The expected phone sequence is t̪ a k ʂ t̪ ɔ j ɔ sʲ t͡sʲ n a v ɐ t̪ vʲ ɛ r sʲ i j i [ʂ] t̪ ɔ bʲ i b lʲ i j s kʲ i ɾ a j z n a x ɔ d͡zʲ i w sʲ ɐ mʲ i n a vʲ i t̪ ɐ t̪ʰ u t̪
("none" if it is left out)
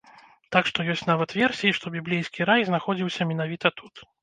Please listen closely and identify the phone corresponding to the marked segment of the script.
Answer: ʂ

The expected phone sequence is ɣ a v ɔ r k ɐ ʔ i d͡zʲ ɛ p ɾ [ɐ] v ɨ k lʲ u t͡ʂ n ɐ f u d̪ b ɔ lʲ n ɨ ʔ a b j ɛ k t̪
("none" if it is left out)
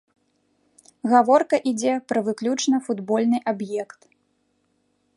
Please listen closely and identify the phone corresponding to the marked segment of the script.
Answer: ɐ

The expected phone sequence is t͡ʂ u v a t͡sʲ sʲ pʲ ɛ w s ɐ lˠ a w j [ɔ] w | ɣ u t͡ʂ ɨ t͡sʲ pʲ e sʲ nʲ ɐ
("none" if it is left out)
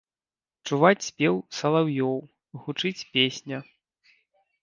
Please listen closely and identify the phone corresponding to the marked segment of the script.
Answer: ɔ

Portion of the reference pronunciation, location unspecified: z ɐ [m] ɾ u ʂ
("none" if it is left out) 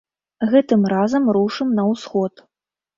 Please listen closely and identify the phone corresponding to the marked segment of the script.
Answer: m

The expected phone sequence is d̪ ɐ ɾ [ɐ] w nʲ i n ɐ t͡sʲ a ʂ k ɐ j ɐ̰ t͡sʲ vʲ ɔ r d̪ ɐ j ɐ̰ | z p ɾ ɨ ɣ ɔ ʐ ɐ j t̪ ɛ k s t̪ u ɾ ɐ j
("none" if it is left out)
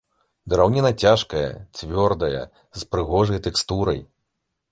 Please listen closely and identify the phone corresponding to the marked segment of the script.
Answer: a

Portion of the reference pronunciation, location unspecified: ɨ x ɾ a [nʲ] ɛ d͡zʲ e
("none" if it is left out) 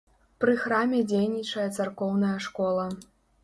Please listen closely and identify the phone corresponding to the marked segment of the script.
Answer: mʲ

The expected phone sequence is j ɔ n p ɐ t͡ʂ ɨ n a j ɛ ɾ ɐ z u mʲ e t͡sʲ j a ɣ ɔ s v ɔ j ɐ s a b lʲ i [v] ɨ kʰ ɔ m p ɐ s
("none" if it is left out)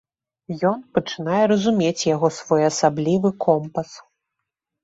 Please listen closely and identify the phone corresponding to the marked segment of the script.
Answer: v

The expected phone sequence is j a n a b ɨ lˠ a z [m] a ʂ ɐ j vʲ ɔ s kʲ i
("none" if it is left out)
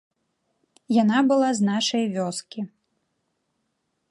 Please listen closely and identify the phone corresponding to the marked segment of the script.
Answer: n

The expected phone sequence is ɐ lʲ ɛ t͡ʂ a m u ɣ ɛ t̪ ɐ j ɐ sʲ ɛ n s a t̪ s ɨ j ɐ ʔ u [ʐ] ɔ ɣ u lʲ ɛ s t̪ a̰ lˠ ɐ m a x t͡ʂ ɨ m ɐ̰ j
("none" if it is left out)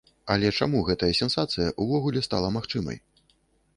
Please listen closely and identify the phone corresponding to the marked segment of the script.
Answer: v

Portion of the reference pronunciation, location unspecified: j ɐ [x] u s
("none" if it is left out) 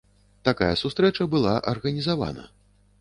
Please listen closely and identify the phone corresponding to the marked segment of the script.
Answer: s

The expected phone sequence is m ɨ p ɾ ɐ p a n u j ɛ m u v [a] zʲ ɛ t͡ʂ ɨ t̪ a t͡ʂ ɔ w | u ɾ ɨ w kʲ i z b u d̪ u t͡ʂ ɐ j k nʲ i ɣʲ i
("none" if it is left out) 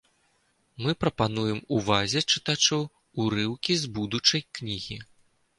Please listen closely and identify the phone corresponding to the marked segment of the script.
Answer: a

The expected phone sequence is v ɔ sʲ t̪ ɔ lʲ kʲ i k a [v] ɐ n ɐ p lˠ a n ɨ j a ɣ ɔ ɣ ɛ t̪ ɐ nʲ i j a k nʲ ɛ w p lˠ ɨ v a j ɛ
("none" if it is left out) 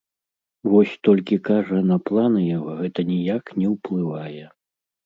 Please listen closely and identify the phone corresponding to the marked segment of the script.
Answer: ʐ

